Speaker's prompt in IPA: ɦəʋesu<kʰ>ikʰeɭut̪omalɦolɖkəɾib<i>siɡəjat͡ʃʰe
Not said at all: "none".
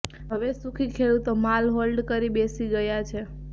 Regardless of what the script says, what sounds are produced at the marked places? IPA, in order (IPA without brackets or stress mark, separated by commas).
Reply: kʰ, e